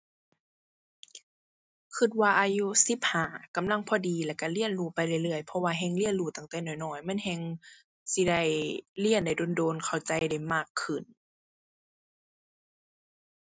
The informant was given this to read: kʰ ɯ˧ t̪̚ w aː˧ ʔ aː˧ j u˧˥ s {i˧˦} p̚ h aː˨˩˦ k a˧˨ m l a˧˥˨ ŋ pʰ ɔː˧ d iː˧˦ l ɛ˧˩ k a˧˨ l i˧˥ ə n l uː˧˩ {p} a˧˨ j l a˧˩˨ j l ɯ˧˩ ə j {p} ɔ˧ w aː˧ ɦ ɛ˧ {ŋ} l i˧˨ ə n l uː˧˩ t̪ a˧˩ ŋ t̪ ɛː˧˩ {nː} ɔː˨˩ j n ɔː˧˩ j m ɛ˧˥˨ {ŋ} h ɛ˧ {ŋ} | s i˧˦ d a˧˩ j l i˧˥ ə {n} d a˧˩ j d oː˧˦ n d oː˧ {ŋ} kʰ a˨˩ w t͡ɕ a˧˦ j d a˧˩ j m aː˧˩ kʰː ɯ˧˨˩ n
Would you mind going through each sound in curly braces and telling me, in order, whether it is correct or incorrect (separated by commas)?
correct, correct, incorrect, correct, incorrect, incorrect, correct, correct, incorrect